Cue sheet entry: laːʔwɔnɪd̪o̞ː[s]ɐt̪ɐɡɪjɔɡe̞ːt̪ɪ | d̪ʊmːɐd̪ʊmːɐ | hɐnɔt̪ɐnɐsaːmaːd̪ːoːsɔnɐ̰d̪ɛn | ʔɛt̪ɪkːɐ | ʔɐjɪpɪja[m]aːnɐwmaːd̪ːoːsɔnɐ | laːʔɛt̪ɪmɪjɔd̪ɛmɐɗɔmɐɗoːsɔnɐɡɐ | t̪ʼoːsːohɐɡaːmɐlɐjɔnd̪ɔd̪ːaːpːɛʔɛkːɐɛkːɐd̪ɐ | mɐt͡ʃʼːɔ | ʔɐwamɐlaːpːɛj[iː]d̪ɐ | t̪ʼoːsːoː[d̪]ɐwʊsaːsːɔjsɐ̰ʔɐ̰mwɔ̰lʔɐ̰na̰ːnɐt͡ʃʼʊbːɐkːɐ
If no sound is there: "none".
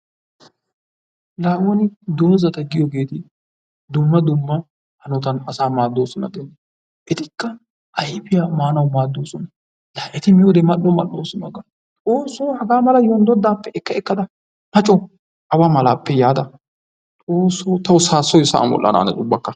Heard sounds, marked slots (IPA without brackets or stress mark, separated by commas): z, m, aː, t̪